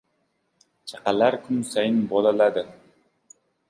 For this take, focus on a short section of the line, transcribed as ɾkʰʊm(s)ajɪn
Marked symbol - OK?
yes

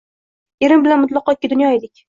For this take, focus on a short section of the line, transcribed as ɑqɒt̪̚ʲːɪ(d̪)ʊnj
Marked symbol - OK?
yes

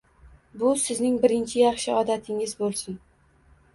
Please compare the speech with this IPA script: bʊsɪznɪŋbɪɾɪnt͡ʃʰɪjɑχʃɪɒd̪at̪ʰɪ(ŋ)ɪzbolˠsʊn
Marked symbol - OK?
yes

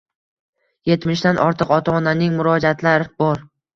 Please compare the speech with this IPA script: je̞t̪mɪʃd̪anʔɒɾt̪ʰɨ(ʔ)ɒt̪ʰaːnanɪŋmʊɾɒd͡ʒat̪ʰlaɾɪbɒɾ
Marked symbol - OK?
no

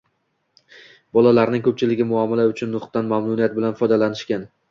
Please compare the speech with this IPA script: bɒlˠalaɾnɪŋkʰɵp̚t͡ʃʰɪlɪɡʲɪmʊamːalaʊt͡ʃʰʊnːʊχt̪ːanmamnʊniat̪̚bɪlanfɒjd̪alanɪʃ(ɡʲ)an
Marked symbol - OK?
no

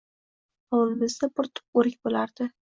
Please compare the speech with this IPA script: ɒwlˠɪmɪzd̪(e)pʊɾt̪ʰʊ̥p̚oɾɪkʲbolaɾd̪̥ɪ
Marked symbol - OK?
no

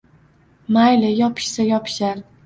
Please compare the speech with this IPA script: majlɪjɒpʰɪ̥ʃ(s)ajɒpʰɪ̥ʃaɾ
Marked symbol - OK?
yes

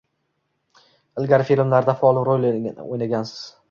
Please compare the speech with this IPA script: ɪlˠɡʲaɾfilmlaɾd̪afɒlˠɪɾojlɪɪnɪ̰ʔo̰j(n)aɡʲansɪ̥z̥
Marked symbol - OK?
yes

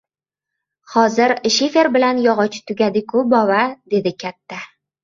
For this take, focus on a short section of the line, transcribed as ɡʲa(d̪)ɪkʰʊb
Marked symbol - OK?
yes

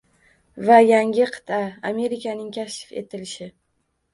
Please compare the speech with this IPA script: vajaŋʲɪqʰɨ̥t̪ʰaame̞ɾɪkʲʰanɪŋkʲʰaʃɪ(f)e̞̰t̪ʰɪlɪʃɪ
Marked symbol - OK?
yes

